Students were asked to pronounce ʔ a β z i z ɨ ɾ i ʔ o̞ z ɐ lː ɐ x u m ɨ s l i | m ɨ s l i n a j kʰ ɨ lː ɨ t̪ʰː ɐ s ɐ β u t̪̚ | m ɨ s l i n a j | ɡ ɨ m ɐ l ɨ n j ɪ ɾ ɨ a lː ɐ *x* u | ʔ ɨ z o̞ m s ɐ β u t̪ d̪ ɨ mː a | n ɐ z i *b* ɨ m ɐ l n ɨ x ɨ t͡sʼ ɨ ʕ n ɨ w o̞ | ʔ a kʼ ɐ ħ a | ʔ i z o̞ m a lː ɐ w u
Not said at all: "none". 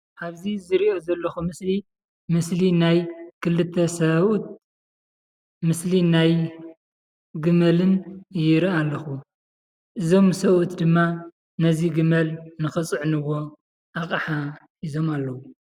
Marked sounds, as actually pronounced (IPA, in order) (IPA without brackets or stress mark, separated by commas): x, ɡ